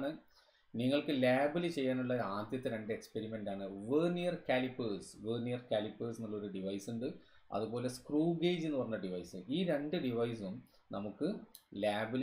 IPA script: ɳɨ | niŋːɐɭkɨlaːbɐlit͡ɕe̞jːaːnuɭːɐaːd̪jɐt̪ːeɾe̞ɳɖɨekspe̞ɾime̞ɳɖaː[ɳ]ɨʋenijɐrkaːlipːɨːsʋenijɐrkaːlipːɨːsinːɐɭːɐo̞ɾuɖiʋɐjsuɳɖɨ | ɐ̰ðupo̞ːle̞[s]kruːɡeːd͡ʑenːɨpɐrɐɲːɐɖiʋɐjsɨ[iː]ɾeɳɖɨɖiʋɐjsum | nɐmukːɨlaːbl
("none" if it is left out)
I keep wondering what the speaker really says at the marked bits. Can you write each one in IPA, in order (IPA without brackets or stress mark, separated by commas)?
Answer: ɳ, s, iː